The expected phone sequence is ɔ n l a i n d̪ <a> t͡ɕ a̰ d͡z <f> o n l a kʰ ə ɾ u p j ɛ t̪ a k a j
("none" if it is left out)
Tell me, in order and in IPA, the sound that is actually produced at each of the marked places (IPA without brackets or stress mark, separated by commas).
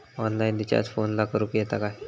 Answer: i, f